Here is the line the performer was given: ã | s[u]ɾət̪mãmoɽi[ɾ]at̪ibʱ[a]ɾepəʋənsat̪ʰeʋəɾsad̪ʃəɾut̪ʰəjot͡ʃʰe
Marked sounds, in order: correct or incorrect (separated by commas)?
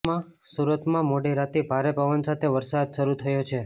correct, correct, correct